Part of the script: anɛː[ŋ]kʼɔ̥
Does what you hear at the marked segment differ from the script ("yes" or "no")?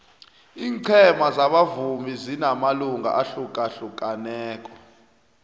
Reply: yes